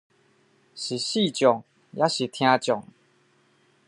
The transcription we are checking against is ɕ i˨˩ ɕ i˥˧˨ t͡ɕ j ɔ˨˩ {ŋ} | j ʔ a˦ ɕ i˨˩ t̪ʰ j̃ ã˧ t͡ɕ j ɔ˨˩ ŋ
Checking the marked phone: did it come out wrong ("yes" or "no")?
no